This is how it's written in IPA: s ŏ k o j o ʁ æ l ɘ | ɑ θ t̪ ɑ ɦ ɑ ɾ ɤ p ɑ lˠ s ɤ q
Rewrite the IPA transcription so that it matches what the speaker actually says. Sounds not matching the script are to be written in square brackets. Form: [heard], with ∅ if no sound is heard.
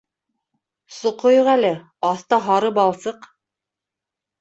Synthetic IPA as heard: s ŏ [q] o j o ʁ æ l ɘ | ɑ θ t̪ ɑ ɦ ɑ ɾ ɤ p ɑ lˠ s ɤ q